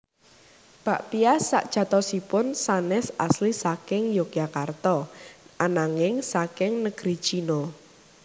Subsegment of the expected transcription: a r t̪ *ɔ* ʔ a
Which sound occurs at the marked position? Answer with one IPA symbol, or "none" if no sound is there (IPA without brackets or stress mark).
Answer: ɔ